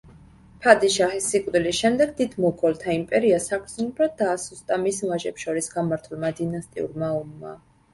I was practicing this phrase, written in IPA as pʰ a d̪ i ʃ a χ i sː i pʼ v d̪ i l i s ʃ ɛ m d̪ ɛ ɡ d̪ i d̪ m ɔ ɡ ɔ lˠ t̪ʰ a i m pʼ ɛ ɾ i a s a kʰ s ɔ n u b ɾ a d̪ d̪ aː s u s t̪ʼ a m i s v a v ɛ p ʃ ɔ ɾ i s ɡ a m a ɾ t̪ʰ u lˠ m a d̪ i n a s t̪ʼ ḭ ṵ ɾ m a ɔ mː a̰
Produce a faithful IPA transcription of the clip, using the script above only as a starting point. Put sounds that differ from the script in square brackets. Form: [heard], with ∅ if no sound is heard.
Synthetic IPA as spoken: pʰ a d̪ i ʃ a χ i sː i [kʼ] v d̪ i l i s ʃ ɛ m d̪ ɛ ɡ d̪ i d̪ m ɔ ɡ ɔ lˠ t̪ʰ a i m pʼ ɛ ɾ i a s a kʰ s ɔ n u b ɾ a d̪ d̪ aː s u s t̪ʼ a m i s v a [ʒ] ɛ p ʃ ɔ ɾ i s ɡ a m a ɾ t̪ʰ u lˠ m a d̪ i n a s t̪ʼ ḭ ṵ ɾ m a ɔ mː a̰

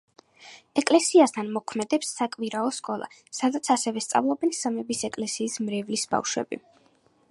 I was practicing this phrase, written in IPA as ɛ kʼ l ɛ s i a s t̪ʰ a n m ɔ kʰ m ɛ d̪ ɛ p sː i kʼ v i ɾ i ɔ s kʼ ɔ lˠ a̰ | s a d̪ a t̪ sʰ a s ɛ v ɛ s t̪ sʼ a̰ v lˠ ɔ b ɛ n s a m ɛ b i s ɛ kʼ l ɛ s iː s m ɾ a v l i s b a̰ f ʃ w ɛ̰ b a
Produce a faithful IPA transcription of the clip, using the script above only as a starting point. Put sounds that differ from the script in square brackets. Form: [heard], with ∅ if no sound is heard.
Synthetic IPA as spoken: ɛ kʼ l ɛ s i a s t̪ʰ a n m ɔ kʰ m ɛ d̪ ɛ p sː [a] kʼ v i ɾ [a] ɔ s kʼ ɔ lˠ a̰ | s a d̪ a t̪ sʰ a s ɛ v ɛ s t̪ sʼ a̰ v lˠ ɔ b ɛ n s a m ɛ b i s ɛ kʼ l ɛ s iː s m ɾ [ɛ] v l i s b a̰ f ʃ w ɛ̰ b [i]

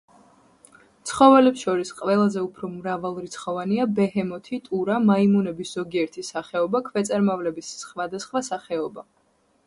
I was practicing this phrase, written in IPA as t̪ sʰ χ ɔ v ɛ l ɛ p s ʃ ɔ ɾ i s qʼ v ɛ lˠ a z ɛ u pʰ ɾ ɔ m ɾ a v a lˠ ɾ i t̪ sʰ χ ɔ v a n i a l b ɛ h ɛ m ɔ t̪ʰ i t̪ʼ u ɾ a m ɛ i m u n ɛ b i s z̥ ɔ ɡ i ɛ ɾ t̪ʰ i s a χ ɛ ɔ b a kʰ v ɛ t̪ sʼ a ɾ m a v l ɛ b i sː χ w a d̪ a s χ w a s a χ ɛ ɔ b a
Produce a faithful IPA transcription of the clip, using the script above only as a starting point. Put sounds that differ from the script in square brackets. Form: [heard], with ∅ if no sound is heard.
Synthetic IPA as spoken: t̪ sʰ χ ɔ v ɛ l ɛ p s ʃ ɔ ɾ i s qʼ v ɛ lˠ a z ɛ u pʰ ɾ ɔ m ɾ a v a lˠ ɾ i t̪ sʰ χ ɔ v a n i a [∅] b ɛ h ɛ m ɔ t̪ʰ i t̪ʼ u ɾ a m [a] i m u n ɛ b i s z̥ ɔ ɡ i ɛ ɾ t̪ʰ i s a χ ɛ ɔ b a kʰ v ɛ t̪ sʼ a ɾ m a v l ɛ b i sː χ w a d̪ a s χ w a s a χ ɛ ɔ b a

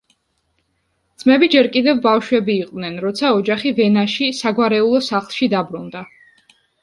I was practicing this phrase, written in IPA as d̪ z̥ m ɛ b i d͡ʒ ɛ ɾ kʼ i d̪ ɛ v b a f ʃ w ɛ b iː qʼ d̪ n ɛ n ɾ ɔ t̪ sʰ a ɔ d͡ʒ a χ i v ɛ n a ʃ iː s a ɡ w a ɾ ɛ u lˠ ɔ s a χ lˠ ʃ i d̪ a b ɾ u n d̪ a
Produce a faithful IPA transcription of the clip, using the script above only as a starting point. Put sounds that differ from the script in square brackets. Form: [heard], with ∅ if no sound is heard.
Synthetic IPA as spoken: d̪ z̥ m ɛ b i d͡ʒ ɛ ɾ kʼ i d̪ ɛ v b a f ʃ w ɛ b iː qʼ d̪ n ɛ n ɾ ɔ t̪ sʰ a ɔ d͡ʒ a χ i v ɛ n a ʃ [i] s a ɡ w a ɾ ɛ u lˠ ɔ s a χ lˠ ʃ i d̪ a b ɾ u n d̪ a

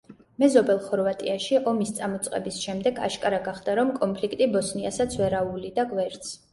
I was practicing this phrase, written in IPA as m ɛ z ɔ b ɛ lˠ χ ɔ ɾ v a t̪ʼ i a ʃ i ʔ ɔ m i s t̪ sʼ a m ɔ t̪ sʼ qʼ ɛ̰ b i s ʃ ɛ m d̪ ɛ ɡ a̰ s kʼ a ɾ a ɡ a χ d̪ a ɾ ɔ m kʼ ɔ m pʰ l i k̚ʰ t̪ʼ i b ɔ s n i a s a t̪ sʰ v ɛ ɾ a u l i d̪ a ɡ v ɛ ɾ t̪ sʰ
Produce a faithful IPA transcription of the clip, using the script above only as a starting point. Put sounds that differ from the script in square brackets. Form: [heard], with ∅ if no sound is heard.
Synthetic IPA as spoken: m ɛ z ɔ b ɛ lˠ χ ɔ ɾ v a t̪ʼ i a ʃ i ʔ ɔ m i s t̪ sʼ a m ɔ t̪ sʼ qʼ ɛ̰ b i s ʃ ɛ m d̪ ɛ ɡ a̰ [ʃ] kʼ a ɾ a ɡ a χ d̪ a ɾ ɔ m kʼ ɔ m pʰ l i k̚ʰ t̪ʼ i b ɔ s n i a s a t̪ sʰ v ɛ ɾ a u l i d̪ a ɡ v ɛ ɾ t̪ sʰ

